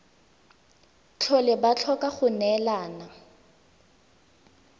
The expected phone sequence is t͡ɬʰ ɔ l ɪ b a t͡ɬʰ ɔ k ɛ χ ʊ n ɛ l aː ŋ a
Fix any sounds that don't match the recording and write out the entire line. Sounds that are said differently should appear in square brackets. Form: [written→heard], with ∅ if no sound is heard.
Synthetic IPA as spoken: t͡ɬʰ ɔ l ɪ b a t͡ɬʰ ɔ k [ɛ→a] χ ʊ n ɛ l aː [ŋ→n] a